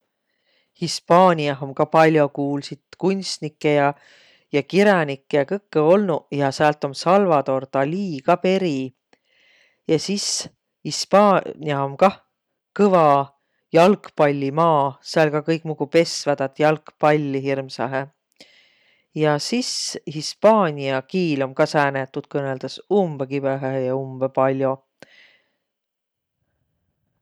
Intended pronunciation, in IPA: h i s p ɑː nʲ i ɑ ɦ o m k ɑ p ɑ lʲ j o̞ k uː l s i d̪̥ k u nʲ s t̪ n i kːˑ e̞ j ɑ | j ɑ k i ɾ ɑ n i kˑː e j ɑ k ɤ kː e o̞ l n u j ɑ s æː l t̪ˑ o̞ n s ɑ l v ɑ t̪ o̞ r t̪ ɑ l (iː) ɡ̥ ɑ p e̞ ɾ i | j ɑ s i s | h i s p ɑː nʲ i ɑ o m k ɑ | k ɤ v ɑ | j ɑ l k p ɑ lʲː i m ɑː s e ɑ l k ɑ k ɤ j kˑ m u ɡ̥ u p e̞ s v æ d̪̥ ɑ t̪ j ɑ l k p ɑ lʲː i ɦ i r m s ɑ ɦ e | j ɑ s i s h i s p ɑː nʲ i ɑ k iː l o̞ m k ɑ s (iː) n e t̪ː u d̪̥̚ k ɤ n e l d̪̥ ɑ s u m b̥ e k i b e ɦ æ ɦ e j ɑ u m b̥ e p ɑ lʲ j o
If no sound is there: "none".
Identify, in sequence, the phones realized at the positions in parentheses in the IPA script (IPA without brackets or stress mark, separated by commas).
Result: iː, æː